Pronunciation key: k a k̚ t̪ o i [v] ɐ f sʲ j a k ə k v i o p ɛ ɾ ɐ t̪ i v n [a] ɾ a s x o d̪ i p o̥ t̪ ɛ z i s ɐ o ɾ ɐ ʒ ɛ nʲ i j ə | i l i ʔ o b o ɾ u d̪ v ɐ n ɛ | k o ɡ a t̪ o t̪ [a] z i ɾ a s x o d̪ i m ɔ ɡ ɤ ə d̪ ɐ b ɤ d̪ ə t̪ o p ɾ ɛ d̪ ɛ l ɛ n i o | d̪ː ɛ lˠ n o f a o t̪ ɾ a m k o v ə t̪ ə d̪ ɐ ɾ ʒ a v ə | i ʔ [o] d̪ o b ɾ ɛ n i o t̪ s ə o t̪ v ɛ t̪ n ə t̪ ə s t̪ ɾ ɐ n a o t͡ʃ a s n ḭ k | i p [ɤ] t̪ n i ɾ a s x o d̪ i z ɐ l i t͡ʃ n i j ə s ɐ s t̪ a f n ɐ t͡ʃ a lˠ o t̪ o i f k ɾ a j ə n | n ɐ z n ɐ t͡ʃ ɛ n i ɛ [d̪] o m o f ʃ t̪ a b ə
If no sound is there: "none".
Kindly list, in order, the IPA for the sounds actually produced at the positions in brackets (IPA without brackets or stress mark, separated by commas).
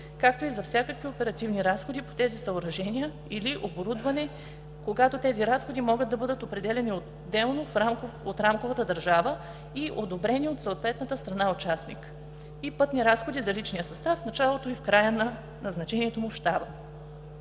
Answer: z, i, ɛ, o, ɤ, t̪